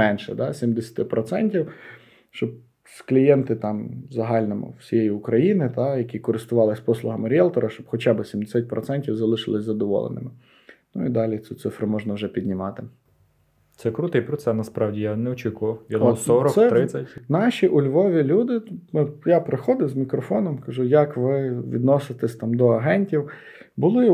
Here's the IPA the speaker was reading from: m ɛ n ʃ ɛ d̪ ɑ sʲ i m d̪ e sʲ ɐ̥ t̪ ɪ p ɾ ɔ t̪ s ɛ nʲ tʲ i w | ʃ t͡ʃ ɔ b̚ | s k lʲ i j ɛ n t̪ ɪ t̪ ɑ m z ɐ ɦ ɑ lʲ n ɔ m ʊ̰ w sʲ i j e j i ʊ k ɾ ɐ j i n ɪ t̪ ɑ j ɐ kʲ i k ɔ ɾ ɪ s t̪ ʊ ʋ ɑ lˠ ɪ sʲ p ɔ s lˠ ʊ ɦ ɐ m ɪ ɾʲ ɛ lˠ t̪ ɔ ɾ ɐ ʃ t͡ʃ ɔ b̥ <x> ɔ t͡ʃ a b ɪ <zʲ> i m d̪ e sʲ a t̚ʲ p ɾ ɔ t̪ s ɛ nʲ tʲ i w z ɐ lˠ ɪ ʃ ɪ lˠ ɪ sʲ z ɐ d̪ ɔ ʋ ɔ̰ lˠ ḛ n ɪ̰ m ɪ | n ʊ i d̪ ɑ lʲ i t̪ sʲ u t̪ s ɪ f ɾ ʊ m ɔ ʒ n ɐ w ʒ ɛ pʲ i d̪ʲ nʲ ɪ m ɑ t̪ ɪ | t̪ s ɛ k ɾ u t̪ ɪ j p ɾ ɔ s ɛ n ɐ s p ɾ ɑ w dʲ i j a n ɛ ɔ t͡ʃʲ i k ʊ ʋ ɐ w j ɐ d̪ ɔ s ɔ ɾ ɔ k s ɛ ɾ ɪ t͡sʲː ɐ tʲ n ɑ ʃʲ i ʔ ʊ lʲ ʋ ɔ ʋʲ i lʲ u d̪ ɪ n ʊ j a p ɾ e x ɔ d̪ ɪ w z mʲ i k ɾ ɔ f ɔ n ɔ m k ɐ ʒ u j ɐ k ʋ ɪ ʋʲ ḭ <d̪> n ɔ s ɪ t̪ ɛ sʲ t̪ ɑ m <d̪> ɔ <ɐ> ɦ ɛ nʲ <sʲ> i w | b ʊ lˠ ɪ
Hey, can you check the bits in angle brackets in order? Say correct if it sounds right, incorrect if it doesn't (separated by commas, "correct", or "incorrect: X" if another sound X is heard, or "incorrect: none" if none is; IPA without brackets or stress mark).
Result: correct, incorrect: sʲ, correct, correct, correct, incorrect: tʲ